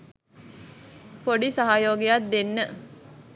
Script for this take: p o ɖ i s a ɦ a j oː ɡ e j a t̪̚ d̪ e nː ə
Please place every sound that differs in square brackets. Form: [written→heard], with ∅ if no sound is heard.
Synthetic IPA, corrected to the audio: p o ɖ i s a ɦ a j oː ɡ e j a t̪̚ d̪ e nː ə